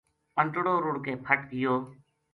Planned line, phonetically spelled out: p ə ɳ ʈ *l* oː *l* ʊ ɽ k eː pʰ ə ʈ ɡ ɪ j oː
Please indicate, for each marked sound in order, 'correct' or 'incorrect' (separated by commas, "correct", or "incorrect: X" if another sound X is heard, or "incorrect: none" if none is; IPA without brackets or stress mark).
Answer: incorrect: ɽ, incorrect: ɾ